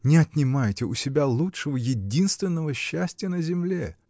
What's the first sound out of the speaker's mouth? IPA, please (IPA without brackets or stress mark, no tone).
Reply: nʲ